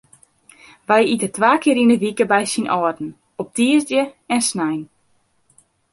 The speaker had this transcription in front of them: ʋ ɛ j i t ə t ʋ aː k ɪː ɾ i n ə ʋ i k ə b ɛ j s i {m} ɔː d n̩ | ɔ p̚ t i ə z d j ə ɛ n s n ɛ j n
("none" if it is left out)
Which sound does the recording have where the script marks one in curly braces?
n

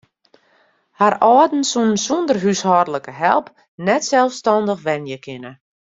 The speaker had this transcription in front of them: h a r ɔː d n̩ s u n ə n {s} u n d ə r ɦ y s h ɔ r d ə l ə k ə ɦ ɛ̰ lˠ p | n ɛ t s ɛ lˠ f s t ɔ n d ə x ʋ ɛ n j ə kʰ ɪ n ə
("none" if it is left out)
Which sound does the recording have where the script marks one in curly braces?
s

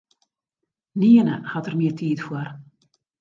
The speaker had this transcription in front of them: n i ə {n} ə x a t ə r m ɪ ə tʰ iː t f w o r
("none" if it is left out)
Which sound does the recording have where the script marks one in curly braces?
n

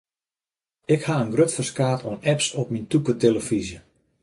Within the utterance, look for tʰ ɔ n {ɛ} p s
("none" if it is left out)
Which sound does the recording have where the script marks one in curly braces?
ɛ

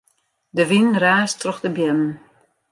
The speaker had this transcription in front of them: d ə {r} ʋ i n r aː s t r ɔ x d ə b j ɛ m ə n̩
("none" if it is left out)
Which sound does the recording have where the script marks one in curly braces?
none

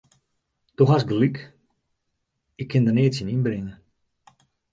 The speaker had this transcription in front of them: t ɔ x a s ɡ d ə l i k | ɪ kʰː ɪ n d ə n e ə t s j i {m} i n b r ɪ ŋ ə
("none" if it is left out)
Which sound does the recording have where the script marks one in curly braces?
n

